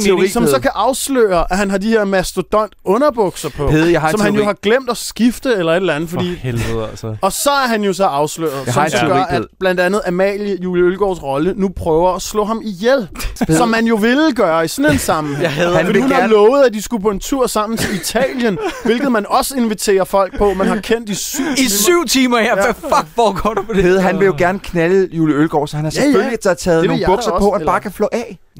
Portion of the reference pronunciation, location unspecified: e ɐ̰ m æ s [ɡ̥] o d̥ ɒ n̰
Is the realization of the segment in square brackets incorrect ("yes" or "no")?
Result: yes